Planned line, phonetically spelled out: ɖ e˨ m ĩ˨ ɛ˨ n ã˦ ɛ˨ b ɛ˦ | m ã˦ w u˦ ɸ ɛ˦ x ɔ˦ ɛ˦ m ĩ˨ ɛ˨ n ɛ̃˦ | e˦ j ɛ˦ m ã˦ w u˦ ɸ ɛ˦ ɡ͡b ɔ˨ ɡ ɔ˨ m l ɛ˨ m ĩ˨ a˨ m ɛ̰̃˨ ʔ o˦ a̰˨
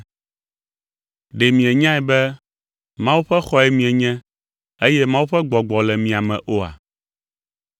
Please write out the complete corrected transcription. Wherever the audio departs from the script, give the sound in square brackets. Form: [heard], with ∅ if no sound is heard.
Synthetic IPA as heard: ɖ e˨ m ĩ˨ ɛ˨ [ɲ] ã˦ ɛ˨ b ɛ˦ | m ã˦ w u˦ ɸ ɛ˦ x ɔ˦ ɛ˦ m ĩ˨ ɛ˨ [ɲ] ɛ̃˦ | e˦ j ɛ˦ m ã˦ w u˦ ɸ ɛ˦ ɡ͡b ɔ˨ [ɡ͡b] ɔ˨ [∅] l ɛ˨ m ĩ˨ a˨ m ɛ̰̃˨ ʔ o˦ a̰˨

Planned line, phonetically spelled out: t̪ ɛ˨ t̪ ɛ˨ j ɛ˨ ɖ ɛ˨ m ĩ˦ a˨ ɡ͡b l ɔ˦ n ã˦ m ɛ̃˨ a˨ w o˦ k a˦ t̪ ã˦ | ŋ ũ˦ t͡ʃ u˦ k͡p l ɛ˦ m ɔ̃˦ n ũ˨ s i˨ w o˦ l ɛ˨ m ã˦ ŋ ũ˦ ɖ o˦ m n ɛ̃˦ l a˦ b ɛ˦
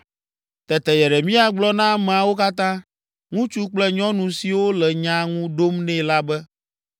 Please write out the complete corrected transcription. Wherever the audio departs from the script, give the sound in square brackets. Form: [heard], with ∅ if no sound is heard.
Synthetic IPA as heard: t̪ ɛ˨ t̪ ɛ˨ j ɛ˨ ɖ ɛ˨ m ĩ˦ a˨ ɡ͡b l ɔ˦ n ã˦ m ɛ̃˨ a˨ w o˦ k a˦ t̪ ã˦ | ŋ ũ˦ t͡ʃ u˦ k͡p l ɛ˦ [ɲ] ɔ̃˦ n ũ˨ s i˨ w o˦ l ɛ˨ [ɲ] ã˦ ŋ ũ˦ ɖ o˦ m n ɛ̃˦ l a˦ b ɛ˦

